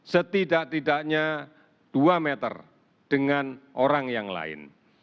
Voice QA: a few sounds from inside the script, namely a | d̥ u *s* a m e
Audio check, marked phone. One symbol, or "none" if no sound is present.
none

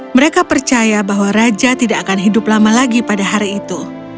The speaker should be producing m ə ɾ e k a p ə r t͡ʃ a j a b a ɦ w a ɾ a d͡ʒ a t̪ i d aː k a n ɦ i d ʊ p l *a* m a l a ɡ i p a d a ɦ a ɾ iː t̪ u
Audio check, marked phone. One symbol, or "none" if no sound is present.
a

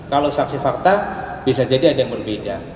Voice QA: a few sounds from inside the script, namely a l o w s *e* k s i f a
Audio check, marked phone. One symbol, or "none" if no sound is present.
a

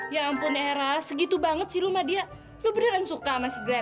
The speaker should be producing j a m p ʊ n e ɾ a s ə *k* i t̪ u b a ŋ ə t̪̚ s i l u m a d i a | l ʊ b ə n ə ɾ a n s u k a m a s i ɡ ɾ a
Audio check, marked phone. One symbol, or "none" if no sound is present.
ɡ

